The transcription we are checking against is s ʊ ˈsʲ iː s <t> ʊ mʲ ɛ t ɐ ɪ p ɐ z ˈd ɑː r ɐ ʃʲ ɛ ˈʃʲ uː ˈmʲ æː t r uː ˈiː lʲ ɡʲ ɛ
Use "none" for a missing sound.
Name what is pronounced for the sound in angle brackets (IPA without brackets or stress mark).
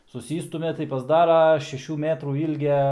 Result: t